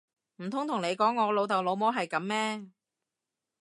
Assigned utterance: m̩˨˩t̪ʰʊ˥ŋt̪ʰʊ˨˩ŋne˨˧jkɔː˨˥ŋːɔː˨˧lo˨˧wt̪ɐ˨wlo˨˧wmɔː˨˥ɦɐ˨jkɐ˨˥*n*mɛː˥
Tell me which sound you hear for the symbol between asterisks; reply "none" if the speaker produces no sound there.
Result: m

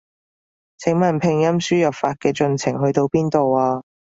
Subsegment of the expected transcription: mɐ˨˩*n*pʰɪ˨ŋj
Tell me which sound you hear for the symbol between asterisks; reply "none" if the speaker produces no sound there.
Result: n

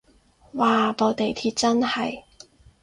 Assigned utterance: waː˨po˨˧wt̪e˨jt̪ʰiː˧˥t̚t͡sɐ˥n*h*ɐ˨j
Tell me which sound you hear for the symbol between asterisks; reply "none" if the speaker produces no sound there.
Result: h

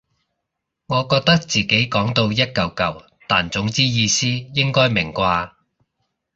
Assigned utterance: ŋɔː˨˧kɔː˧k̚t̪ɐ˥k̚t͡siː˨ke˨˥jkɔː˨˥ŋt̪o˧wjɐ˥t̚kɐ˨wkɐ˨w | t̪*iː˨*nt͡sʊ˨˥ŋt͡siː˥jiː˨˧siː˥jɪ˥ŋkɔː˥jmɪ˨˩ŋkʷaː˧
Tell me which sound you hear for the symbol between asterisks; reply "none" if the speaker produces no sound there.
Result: aː˨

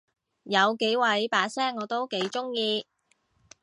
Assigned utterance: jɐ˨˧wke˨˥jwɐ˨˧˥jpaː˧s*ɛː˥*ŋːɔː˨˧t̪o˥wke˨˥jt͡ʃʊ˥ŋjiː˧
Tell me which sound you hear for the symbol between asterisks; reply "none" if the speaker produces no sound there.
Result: ɛː˥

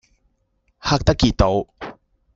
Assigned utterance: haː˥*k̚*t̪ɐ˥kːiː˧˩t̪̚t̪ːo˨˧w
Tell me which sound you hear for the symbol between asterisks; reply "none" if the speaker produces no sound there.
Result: k̚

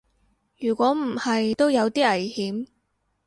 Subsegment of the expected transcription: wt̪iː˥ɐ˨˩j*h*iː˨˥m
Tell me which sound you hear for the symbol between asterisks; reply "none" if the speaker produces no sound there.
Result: h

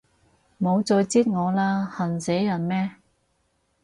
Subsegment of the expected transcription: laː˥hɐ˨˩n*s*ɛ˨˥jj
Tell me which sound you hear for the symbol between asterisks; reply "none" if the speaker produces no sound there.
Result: s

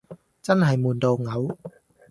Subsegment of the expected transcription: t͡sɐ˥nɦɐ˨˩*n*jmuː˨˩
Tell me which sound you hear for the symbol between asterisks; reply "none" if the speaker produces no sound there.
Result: none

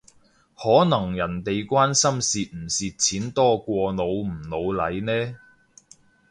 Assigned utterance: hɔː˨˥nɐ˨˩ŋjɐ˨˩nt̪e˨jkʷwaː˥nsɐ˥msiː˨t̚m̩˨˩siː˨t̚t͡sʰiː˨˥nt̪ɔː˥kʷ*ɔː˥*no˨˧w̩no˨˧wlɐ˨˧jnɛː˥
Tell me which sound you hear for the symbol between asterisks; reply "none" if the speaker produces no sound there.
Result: ɔː˧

